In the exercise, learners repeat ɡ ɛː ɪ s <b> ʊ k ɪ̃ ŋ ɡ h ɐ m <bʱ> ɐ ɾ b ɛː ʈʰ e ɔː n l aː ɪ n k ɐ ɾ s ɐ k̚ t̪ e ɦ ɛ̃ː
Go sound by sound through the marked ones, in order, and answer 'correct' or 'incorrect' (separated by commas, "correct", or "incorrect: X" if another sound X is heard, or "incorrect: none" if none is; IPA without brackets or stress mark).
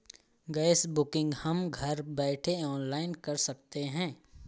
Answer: correct, incorrect: ɡʱ